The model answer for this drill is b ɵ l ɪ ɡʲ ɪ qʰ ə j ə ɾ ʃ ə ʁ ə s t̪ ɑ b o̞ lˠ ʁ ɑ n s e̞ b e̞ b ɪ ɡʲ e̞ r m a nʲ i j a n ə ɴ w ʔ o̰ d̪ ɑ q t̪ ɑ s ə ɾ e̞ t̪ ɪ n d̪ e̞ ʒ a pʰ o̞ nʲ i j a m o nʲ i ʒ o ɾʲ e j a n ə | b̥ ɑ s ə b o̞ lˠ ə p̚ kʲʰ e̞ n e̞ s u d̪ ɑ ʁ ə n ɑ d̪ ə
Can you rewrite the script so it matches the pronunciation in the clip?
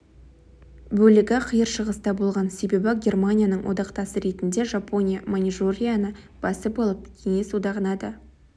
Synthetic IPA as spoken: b ɵ l ɪ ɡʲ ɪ qʰ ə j ə ɾ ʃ ə ʁ ə s t̪ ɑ b o̞ lˠ ʁ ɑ n s e̞ b e̞ b ɪ ɡʲ e̞ r m a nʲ i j a n ə ɴ w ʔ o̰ d̪ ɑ q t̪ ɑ s ə ɾ e̞ t̪ ɪ n d̪ e̞ ʒ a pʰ o̞ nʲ i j a m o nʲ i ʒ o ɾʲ i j a n ə | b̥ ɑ s ə b o̞ lˠ ə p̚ kʲʰ e̞ ŋ e̞ s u d̪ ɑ ʁ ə n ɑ d̪ ə